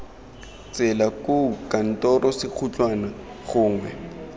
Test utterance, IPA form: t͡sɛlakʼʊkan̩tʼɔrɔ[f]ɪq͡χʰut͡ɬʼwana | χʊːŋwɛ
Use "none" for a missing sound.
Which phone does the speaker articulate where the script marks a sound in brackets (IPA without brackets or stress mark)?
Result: s